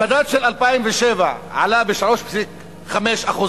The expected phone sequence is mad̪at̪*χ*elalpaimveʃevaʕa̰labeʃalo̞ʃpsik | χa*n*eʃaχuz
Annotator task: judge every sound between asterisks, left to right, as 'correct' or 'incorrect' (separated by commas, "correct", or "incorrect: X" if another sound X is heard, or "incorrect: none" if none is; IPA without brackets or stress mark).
incorrect: ʃ, incorrect: m